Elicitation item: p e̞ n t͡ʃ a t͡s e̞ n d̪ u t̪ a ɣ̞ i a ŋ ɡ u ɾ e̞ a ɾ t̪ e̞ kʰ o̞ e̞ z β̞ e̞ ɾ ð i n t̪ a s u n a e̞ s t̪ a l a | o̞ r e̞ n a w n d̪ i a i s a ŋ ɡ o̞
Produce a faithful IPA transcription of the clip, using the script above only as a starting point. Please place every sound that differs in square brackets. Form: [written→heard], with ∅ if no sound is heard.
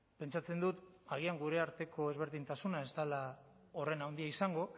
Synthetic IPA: p e̞ n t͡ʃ a t͡s e̞ n d̪ u t̪ a ɣ̞ i a ŋ ɡ u ɾ e̞ a ɾ t̪ e̞ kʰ o̞ e̞ z β̞ e̞ ɾ ð i n t̪ a s u n a e̞ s t̪ a l a | o̞ r e̞ n a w n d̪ i a i s a ŋ ɡ o̞